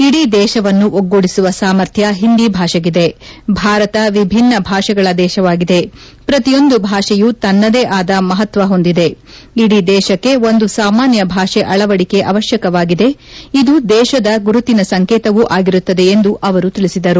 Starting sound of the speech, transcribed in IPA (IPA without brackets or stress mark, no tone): i